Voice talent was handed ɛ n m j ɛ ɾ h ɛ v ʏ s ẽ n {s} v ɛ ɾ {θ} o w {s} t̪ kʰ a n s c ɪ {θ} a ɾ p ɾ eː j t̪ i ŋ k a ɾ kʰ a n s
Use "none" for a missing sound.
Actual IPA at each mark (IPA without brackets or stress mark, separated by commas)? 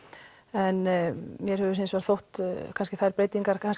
s, θ, h, θ